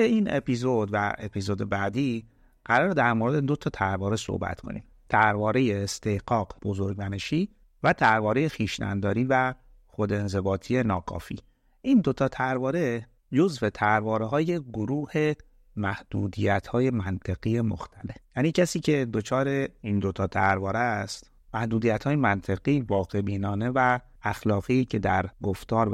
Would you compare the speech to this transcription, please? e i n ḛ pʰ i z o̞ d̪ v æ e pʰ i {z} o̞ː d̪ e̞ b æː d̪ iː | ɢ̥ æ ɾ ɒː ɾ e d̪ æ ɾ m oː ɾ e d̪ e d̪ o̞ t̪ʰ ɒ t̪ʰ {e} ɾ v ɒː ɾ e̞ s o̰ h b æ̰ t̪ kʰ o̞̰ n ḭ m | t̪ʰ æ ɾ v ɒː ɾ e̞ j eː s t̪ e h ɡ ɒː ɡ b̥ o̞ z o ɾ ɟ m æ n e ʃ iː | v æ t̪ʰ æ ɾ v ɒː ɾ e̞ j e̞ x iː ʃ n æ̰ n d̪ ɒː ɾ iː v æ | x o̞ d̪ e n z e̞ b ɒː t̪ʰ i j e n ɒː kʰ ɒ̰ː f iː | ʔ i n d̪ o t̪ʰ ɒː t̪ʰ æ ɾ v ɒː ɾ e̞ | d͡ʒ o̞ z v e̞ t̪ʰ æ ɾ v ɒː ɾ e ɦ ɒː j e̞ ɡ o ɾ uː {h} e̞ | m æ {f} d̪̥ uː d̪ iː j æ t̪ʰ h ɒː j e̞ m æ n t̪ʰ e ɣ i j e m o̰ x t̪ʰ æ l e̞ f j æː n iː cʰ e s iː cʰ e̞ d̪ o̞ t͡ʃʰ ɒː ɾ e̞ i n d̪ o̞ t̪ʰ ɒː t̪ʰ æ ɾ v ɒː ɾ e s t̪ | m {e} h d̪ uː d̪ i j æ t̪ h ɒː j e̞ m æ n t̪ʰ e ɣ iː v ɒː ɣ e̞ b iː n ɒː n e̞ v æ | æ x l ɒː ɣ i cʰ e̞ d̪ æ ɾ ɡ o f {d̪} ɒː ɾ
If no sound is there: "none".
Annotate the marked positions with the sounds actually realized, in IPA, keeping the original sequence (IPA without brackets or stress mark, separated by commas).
z, æ, h, h, æ, t̪